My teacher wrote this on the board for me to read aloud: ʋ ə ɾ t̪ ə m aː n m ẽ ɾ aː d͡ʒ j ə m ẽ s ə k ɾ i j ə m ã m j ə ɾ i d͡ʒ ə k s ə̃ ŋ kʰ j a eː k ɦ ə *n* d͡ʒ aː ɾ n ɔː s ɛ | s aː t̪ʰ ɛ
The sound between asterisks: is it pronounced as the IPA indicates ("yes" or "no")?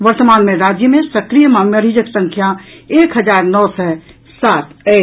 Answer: no